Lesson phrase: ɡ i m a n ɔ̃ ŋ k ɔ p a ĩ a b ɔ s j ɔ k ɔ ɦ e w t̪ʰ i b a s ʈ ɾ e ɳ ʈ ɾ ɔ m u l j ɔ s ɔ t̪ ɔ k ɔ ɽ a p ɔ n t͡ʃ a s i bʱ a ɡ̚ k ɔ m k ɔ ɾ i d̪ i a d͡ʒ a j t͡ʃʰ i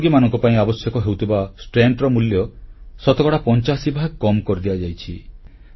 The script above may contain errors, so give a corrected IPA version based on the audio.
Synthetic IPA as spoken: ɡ i m a n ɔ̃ ŋ k ɔ p a ĩ a b ɔ s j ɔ k ɔ ɦ e w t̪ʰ i b a s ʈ ɾ e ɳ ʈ ɾ ɔ m u l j ɔ s ɔ t̪ ɔ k ɔ ɽ a p ɔ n t͡ʃ a s i bʱ a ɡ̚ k ɔ m k ɔ ɾ i d̪ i a d͡ʒ a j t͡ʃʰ i